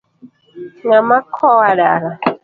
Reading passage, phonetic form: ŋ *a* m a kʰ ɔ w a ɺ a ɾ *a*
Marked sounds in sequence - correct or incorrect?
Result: correct, correct

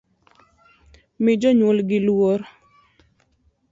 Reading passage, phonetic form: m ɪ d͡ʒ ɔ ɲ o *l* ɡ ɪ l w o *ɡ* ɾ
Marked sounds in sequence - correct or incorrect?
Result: correct, incorrect

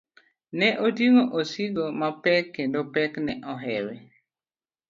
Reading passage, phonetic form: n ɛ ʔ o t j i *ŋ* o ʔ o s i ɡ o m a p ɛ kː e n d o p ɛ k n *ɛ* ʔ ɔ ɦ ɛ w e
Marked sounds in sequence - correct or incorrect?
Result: correct, correct

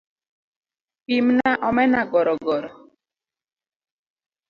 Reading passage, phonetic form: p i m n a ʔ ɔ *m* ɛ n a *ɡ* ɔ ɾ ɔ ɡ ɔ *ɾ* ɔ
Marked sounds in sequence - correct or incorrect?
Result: correct, correct, correct

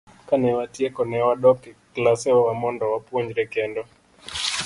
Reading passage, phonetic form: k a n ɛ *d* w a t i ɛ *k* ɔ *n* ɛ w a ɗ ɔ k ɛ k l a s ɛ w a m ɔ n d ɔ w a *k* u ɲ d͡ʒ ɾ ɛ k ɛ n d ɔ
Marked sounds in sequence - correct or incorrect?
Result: incorrect, correct, correct, incorrect

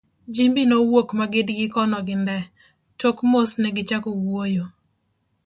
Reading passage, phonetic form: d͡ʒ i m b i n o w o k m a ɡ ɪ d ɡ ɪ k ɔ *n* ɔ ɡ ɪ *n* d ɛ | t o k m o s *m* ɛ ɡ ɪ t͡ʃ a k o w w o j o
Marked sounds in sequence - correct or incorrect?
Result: correct, correct, incorrect

